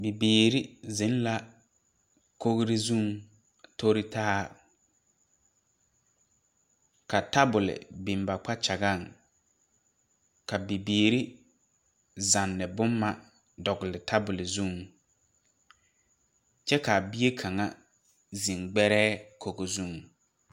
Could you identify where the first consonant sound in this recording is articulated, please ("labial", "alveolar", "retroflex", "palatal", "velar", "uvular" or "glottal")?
labial